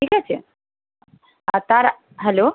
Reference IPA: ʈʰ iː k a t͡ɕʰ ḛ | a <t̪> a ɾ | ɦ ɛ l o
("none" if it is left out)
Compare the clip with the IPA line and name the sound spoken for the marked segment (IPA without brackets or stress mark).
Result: t̪